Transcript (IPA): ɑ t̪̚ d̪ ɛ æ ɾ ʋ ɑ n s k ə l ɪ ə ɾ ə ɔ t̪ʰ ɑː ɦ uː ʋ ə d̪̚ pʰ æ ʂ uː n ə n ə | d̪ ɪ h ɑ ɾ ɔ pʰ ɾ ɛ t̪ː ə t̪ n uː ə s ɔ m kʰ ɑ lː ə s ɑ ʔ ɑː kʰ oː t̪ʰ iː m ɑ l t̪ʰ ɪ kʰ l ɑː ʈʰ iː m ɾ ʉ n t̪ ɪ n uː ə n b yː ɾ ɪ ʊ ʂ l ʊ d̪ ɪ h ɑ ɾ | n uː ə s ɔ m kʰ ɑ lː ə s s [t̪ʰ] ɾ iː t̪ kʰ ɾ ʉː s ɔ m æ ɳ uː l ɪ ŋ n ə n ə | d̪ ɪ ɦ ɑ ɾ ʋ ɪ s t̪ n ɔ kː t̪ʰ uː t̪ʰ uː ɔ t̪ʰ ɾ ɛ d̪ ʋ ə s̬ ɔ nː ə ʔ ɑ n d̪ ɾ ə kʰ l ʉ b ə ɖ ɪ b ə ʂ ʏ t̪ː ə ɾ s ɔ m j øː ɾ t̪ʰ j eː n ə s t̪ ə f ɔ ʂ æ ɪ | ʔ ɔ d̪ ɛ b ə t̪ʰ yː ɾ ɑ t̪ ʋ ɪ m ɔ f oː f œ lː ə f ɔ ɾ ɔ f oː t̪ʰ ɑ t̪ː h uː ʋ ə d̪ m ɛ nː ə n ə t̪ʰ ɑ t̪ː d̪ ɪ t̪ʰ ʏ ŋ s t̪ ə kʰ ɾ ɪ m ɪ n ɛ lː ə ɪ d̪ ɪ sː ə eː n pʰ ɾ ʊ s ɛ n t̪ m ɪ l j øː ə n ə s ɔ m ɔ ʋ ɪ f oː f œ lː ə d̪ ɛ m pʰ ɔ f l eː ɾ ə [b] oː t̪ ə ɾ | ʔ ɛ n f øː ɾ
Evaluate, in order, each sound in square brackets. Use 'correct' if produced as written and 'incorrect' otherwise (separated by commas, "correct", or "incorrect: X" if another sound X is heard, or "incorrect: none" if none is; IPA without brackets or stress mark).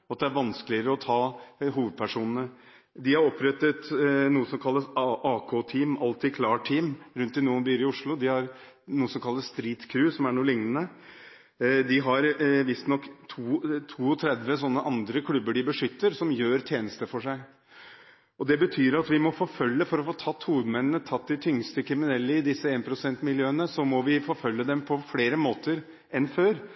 incorrect: t̪, incorrect: m